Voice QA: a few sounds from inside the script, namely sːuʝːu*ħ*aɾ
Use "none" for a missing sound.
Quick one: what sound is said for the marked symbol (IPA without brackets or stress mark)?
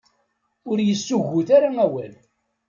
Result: θ